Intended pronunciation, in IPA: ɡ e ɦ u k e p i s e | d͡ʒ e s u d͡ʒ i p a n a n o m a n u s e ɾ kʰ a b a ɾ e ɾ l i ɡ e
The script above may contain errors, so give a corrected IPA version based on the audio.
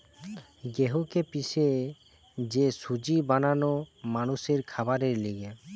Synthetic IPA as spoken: ɡ e ɦ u k e p i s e | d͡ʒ e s u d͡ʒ i b a n a n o m a n u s e ɾ kʰ a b a ɾ e ɾ l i ɡ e